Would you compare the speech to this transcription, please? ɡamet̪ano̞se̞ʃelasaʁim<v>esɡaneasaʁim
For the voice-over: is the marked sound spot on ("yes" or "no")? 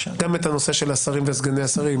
yes